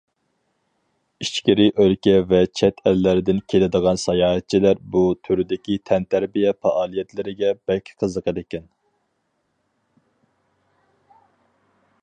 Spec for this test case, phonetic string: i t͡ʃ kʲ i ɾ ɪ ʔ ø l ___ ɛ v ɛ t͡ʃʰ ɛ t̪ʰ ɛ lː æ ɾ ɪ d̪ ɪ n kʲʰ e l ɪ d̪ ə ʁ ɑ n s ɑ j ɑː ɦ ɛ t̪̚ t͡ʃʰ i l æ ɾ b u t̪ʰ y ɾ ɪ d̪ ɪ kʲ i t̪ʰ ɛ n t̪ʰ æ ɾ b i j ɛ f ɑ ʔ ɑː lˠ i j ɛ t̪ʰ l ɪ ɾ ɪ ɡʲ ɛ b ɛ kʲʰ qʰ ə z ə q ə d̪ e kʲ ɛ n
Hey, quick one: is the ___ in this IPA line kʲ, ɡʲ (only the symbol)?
kʲ